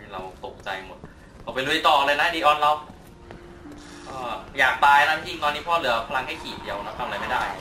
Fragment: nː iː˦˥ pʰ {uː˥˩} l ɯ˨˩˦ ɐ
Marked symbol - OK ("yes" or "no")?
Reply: no